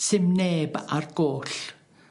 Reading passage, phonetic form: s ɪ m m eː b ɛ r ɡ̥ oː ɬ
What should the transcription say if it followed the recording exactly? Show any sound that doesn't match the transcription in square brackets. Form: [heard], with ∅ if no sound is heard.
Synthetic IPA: s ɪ m [n] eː b [a] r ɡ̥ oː ɬ